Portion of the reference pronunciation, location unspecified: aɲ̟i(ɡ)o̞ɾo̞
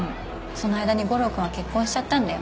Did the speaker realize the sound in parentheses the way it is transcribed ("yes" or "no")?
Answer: yes